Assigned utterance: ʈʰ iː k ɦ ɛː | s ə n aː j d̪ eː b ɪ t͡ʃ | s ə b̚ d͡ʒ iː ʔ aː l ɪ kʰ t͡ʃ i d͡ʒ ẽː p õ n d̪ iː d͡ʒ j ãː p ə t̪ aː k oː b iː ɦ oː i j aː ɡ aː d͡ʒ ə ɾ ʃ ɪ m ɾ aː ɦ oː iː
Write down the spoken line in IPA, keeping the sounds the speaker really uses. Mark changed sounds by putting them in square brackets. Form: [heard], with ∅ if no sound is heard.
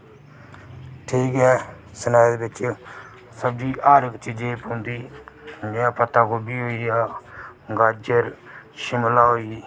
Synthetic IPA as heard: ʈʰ iː k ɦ ɛː | s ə n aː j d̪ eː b ɪ t͡ʃ | s ə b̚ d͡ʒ iː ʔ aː [ɾ] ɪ [k] t͡ʃ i d͡ʒ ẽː p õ n d̪ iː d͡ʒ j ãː p ə t̪ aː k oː b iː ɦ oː i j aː ɡ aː d͡ʒ ə ɾ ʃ ɪ m [l] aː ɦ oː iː

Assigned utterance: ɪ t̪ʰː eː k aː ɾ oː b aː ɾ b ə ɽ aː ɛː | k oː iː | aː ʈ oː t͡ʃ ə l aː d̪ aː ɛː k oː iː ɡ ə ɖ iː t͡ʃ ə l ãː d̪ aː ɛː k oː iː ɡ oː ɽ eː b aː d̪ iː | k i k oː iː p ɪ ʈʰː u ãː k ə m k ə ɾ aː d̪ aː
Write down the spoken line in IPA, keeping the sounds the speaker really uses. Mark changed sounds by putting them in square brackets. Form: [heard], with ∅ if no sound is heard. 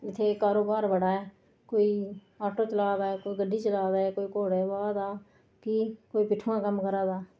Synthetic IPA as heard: ɪ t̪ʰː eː k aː ɾ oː b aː ɾ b ə ɽ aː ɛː | k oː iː | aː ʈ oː t͡ʃ ə l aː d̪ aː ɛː k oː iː ɡ ə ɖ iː t͡ʃ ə l [aː] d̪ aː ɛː k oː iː [k] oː ɽ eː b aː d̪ [aː] | k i k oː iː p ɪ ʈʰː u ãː k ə m k ə ɾ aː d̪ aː

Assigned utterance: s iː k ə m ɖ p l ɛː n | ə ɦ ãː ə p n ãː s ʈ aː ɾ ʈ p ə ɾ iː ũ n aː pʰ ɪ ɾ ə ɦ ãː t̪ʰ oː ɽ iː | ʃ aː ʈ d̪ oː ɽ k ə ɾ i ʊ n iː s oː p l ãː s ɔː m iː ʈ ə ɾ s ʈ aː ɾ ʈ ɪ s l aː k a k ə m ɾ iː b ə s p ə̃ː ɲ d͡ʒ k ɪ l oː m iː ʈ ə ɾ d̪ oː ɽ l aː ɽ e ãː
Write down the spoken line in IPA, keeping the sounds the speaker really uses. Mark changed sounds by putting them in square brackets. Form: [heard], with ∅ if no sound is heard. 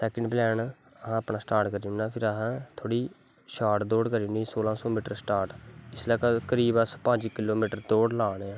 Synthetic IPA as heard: s [ɛː] k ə [ɳ] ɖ p l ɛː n | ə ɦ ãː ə p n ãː s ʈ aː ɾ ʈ [k] ə ɾ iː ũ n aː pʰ ɪ ɾ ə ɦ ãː t̪ʰ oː ɽ iː | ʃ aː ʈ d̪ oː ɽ k ə ɾ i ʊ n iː s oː [∅] l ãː s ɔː m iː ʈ ə ɾ s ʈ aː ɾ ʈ ɪ s l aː k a k ə [∅] ɾ iː b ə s p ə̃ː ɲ d͡ʒ k ɪ l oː m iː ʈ ə ɾ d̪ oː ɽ l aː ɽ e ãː

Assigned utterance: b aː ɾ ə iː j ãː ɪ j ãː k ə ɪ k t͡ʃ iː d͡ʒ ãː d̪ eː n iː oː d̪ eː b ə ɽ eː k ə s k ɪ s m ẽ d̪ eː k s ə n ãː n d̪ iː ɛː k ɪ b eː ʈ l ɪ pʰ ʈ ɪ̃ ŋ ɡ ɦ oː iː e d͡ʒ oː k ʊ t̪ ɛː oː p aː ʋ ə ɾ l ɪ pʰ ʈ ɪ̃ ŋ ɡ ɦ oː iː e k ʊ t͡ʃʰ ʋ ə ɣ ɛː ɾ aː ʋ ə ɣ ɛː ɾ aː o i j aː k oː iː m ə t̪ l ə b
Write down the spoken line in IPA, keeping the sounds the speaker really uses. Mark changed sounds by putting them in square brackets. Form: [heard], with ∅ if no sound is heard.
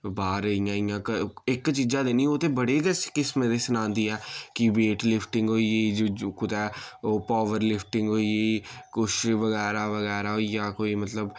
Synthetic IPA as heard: b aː ɾ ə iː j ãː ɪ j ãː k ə ɪ k t͡ʃ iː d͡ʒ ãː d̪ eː n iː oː [t̪] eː b ə ɽ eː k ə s k ɪ s m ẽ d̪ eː [∅] s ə n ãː n d̪ iː ɛː k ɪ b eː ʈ l ɪ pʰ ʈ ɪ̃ ŋ ɡ ɦ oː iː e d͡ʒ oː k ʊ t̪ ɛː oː p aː ʋ ə ɾ l ɪ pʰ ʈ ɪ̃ ŋ ɡ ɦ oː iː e k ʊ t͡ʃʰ ʋ ə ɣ ɛː ɾ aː ʋ ə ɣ ɛː ɾ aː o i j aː k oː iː m ə t̪ l ə b

